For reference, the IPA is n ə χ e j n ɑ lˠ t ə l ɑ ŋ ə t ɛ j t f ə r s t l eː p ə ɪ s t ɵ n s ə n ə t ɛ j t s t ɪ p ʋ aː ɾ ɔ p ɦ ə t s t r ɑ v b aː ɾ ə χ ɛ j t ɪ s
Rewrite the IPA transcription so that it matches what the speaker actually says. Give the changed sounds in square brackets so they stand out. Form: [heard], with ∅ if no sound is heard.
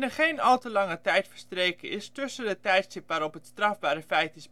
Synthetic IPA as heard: n ə χ e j n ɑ lˠ t ə l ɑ ŋ ə t ɛ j t f ə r s t [r] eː [k] ə ɪ s t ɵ [∅] s ə [d] ə t ɛ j t s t ɪ p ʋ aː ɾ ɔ p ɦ ə t s t r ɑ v b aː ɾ ə [f] ɛ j t ɪ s